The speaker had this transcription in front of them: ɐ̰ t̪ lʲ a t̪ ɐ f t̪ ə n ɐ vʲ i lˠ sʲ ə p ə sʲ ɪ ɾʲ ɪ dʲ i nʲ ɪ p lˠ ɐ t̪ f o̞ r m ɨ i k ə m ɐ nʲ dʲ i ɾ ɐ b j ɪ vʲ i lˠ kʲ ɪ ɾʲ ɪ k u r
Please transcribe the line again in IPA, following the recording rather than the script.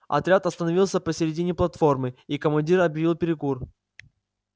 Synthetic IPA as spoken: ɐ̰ t̪ ɾʲ a t̪ ɐ s t̪ ə n ɐ vʲ i lˠ sʲ ə p ə sʲ ɪ ɾʲ ɪ dʲ i nʲ ɪ p lˠ ɐ t̪ f o̞ r m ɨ i k ə m ɐ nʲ dʲ i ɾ ɐ b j ɪ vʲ i lˠ pʲ ɪ ɾʲ ɪ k u r